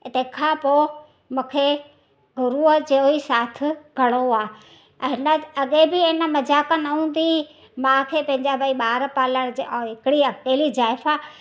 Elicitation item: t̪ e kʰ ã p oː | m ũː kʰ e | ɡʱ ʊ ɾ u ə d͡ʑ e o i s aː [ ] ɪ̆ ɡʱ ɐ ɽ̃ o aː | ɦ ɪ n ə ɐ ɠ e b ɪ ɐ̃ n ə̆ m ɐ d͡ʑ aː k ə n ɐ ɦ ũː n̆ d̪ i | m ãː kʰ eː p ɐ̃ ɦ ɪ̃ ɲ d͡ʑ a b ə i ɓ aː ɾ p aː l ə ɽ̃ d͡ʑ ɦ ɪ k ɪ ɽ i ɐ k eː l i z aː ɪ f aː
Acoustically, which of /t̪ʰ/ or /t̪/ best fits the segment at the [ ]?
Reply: t̪ʰ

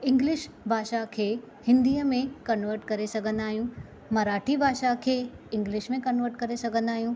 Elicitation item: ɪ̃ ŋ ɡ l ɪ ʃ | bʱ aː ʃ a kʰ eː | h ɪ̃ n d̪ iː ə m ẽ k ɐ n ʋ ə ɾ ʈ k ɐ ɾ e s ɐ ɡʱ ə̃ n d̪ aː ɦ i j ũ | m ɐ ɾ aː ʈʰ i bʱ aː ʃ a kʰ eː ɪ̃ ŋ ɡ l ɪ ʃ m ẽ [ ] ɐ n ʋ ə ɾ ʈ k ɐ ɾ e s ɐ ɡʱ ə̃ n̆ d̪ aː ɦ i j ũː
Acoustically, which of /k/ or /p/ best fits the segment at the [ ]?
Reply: k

